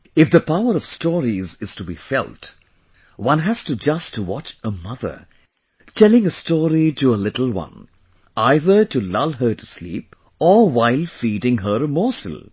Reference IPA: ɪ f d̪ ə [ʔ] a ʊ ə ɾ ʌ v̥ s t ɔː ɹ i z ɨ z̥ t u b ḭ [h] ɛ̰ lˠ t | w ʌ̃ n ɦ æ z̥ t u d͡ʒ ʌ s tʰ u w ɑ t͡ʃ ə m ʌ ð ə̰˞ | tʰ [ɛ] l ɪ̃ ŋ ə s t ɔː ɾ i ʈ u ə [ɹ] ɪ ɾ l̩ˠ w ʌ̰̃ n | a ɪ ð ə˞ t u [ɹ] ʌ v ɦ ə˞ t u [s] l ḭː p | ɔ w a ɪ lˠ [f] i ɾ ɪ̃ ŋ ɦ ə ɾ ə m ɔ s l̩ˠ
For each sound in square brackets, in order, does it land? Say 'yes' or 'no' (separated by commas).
no, no, yes, no, no, yes, yes